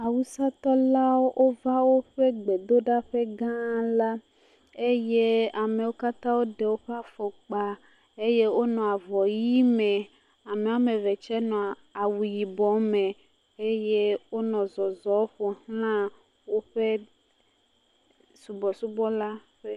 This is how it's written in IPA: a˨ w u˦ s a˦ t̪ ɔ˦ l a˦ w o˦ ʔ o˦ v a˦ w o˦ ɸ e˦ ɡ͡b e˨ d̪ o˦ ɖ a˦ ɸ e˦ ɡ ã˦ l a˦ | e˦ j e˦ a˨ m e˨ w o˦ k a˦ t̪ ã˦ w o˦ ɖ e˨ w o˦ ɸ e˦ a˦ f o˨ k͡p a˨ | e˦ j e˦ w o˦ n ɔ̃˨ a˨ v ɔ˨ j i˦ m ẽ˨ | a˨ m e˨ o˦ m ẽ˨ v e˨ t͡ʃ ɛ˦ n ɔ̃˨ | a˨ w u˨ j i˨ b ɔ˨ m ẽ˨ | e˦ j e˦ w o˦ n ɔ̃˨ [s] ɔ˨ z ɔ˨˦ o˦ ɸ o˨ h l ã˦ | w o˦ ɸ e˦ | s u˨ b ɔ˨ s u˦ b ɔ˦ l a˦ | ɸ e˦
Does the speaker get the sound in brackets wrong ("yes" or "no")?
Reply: yes